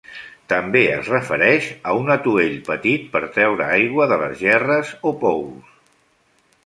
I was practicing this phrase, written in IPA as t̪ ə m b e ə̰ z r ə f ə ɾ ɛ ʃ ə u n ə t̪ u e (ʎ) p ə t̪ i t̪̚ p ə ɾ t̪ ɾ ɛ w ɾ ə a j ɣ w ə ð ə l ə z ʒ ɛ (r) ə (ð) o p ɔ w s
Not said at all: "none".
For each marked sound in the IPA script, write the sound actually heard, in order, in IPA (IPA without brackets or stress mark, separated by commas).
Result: ʎ, r, z